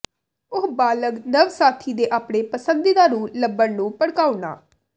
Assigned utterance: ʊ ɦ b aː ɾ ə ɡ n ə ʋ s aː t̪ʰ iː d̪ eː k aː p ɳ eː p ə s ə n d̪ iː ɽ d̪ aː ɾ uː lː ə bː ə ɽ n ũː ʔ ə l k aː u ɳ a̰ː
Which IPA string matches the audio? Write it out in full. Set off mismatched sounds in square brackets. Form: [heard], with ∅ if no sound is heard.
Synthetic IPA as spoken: ʊ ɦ b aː [l] ə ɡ n ə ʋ s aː t̪ʰ iː d̪ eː [ʔ] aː p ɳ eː p ə s ə n d̪ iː [∅] d̪ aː ɾ uː [l] ə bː ə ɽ n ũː [p] ə [ɽ] k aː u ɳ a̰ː